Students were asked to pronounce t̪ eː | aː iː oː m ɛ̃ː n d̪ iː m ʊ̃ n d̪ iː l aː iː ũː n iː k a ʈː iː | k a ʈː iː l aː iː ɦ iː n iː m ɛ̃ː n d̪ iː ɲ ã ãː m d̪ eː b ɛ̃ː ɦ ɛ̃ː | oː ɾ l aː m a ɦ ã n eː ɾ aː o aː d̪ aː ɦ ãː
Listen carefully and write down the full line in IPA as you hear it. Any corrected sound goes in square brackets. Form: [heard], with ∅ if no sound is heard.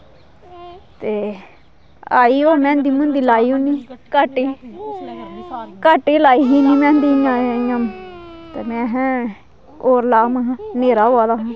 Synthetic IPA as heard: t̪ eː | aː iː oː m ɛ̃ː n d̪ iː m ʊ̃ n d̪ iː l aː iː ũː n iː k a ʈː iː | k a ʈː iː l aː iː ɦ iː n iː m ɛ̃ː n d̪ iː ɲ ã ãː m [t̪] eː [m] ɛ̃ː ɦ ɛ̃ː | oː ɾ l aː m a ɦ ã n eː ɾ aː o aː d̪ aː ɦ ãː